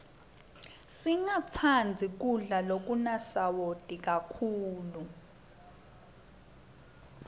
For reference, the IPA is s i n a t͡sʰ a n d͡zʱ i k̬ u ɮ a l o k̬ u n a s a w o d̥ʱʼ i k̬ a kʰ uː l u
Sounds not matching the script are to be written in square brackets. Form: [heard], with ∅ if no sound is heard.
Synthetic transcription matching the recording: s i [ŋ] a t͡sʰ a n d͡zʱ i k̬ u ɮ a l o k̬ u n a s a w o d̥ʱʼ i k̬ a kʰ uː l u